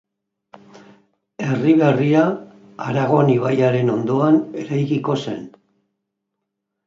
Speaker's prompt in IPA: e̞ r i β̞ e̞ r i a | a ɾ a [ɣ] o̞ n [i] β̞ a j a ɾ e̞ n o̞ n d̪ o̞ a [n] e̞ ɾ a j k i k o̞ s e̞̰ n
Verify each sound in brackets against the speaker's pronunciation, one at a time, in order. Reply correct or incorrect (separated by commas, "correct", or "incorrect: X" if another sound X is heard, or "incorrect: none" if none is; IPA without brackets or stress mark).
correct, correct, correct